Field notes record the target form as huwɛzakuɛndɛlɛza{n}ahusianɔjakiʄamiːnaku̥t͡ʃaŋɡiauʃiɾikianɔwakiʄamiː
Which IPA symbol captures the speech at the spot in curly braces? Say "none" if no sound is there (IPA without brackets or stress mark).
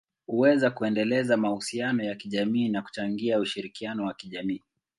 m